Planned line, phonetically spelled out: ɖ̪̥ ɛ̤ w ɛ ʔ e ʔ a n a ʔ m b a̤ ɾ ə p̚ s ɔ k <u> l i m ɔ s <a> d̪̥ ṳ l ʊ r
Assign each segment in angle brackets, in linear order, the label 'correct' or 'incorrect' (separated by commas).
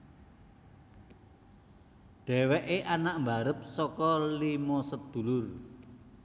incorrect, incorrect